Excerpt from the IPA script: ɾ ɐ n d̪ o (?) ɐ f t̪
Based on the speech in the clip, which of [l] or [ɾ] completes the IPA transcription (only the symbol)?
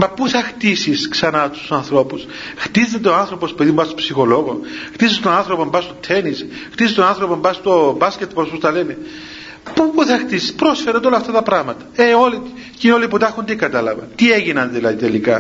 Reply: l